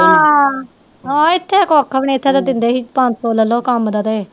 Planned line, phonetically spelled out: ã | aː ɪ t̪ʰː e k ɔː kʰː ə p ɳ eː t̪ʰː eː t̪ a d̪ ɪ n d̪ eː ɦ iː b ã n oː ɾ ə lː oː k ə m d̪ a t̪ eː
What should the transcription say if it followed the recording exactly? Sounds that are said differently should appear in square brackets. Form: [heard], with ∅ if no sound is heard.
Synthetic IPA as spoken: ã | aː ɪ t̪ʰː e k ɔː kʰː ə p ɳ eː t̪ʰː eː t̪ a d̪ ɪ n d̪ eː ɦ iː [p] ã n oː [l] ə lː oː k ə m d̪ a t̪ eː